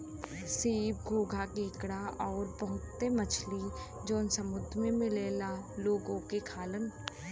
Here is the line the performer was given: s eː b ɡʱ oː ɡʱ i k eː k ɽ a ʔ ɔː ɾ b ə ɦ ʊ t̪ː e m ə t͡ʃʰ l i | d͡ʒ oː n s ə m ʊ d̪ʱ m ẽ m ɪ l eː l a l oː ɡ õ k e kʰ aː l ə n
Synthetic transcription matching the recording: s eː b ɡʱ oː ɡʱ a k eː k ɽ a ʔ ɔː ɾ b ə ɦ ʊ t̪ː e m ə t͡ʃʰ l i | d͡ʒ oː n s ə m ʊ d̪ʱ m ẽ m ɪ l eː l a l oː ɡ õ k e kʰ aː l ə n